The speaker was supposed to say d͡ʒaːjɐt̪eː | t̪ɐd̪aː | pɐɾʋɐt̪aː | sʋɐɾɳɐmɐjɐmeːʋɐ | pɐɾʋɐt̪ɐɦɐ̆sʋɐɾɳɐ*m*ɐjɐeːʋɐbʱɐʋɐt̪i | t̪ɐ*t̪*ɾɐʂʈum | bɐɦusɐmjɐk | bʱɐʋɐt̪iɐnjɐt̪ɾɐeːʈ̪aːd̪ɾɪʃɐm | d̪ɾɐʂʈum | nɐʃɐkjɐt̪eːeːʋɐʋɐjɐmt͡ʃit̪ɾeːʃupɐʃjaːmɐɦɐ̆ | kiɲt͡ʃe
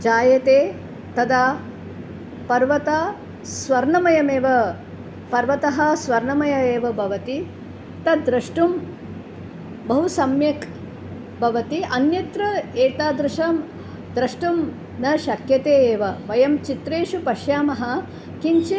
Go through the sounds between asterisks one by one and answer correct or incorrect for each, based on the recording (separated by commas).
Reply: correct, incorrect